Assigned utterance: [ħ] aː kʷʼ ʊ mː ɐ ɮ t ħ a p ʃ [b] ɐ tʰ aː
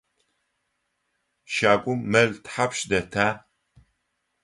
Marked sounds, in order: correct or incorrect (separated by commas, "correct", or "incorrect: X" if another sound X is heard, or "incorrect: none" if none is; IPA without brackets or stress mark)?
incorrect: ʃ, incorrect: d